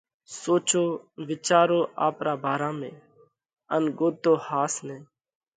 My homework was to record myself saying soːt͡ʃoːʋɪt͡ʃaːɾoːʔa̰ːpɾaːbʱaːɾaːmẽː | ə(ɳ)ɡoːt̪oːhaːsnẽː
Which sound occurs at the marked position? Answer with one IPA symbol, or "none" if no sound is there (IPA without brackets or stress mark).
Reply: n